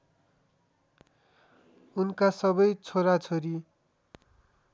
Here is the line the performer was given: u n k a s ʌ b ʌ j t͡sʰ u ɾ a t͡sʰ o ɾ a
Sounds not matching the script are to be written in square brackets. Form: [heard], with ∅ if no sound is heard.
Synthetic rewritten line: u n k a s ʌ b ʌ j t͡sʰ [o] ɾ a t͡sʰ o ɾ [i]